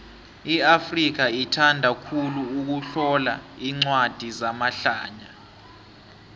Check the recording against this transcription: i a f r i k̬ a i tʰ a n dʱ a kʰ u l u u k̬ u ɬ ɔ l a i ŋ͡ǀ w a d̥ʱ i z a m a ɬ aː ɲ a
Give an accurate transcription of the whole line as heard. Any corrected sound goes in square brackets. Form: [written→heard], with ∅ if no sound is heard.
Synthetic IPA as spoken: i a f r i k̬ a i tʰ a n dʱ a kʰ u l u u k̬ u ɬ ɔ l a i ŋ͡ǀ w a d̥ʱ i z a m a ɬ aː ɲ a